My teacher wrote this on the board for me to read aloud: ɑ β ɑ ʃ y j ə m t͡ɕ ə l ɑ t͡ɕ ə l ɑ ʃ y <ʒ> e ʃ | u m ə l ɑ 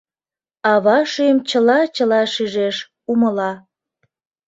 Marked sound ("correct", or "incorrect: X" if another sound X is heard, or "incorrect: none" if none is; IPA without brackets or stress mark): correct